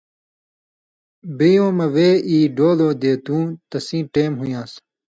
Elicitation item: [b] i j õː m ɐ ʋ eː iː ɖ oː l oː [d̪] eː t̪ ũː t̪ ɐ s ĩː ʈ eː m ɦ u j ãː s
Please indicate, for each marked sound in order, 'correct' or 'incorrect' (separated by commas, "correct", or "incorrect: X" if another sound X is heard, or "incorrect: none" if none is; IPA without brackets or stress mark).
correct, correct